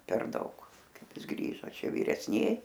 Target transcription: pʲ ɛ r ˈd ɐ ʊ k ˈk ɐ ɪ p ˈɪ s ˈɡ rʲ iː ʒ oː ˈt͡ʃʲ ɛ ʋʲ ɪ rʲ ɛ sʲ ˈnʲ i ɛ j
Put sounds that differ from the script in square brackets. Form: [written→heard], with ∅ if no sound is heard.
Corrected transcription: pʲ ɛ r ˈd ɐ ʊ k ˈk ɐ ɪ p ˈɪ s ˈɡ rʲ iː ʒ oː ˈt͡ʃʲ ɛ ʋʲ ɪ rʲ ɛ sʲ ˈnʲ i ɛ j